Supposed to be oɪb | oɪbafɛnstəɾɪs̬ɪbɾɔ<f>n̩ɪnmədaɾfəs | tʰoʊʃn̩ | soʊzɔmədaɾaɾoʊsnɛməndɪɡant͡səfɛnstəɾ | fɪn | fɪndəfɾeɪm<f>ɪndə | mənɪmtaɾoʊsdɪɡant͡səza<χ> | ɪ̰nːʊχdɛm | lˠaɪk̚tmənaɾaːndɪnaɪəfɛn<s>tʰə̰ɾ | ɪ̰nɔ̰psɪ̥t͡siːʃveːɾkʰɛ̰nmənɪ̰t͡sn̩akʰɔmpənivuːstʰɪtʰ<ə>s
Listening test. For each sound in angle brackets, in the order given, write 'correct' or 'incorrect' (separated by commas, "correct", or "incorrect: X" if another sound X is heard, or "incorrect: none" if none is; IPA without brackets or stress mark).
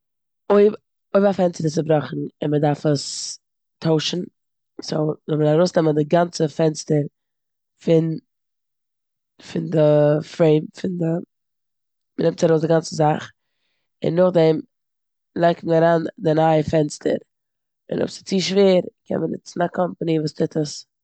incorrect: χ, correct, correct, correct, correct